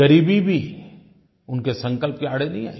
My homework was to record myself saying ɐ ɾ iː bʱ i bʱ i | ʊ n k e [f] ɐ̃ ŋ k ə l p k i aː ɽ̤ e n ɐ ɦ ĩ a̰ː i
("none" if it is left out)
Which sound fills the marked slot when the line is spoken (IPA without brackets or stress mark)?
s